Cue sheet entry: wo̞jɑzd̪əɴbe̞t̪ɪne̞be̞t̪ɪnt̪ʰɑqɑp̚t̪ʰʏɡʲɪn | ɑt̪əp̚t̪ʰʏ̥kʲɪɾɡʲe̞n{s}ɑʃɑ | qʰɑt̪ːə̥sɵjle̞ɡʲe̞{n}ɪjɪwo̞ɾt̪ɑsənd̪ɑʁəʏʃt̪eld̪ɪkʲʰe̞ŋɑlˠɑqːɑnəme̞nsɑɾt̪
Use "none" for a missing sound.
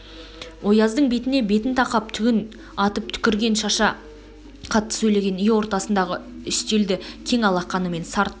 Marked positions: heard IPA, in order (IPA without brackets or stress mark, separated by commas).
ʃ, n